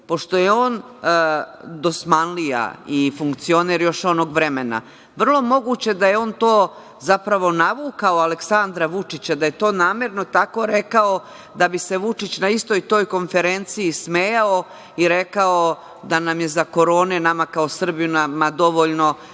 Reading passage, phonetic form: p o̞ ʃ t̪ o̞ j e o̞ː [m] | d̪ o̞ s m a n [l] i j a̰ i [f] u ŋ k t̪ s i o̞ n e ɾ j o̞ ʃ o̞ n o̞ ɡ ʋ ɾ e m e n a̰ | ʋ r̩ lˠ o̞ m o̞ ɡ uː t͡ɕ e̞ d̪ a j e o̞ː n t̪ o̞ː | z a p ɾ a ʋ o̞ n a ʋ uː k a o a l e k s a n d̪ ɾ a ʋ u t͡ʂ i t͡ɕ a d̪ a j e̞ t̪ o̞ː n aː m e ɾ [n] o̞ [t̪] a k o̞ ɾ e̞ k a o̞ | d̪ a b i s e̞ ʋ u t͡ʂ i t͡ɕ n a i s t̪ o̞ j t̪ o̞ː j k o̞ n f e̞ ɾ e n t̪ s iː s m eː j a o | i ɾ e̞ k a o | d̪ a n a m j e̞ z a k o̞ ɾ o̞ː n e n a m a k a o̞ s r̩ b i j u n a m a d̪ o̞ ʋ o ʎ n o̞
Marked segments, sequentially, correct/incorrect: incorrect: n, correct, correct, correct, correct

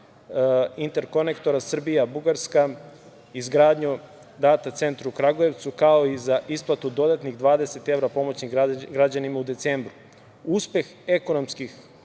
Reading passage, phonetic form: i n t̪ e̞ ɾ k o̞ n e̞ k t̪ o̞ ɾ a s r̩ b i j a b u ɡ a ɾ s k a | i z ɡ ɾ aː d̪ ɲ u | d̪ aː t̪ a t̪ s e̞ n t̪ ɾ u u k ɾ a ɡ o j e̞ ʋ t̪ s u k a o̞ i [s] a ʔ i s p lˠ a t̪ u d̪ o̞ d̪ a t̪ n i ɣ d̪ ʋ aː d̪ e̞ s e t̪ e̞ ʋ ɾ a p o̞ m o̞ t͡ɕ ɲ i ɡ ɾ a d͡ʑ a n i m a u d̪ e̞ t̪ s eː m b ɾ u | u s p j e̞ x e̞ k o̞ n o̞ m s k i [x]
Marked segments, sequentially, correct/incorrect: incorrect: z, correct

